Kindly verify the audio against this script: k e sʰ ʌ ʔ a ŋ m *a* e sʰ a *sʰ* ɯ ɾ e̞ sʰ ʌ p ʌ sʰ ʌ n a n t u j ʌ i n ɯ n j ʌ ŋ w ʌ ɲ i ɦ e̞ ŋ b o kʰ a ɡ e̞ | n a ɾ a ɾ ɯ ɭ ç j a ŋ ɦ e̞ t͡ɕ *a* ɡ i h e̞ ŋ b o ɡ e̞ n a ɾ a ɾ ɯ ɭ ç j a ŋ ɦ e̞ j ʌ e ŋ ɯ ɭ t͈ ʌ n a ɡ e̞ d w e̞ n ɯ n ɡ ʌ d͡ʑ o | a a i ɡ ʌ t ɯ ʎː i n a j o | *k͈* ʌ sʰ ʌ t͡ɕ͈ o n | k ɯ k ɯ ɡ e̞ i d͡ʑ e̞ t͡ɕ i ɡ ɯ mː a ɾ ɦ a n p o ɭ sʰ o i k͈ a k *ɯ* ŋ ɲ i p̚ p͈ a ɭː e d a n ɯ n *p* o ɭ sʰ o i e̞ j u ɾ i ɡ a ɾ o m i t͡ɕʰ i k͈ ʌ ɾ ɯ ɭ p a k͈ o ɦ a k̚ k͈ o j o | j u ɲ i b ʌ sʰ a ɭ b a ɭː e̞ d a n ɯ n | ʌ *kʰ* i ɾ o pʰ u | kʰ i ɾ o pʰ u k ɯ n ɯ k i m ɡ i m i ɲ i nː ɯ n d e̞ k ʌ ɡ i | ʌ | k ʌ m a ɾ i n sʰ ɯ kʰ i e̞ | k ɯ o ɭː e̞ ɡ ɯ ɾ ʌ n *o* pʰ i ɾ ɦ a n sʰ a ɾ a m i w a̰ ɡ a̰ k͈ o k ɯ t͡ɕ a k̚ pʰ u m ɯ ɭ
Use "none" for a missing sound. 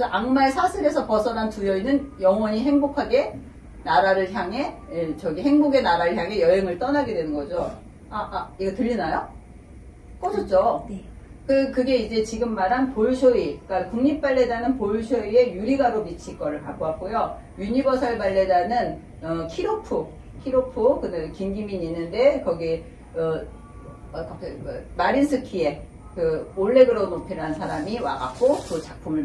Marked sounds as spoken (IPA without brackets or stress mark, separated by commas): a, sʰ, ʌ, k͈, u, p, kʰ, o